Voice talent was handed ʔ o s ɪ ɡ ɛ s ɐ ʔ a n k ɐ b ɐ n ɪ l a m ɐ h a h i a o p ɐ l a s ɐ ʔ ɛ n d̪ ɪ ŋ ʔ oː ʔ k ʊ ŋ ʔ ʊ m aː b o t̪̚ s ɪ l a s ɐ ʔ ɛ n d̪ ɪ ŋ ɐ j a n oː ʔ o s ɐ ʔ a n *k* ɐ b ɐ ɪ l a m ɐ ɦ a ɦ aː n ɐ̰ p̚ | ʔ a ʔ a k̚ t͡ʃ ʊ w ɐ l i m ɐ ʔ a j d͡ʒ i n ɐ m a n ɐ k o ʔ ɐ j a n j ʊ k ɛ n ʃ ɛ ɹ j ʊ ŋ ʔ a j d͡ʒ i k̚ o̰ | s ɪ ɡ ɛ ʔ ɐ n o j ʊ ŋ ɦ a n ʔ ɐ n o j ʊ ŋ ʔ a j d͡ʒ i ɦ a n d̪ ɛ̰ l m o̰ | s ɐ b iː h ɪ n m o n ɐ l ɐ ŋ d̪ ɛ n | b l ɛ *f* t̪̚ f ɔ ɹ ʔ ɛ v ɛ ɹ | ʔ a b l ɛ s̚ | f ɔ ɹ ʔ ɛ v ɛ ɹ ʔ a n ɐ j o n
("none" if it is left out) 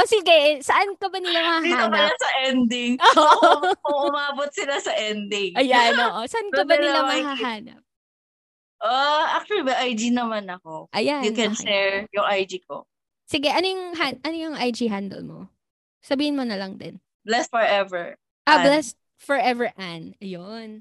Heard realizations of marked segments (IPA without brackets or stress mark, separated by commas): k, s